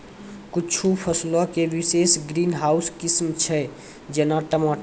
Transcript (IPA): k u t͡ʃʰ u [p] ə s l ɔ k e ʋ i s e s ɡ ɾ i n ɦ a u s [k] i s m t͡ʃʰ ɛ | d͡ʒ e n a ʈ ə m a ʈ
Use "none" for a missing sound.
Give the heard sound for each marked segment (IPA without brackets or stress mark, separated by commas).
pʰ, k